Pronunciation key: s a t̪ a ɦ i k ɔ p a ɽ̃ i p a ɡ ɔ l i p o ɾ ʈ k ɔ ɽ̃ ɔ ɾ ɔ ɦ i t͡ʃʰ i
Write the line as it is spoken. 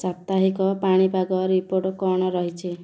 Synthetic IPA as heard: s a t̪ a ɦ i k ɔ p a ɽ̃ i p a ɡ ɔ ɾ i p o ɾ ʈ k ɔ ɽ̃ ɔ ɾ ɔ ɦ i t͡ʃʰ i